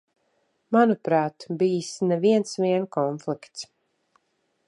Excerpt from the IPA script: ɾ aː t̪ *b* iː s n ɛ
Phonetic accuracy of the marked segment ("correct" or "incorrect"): correct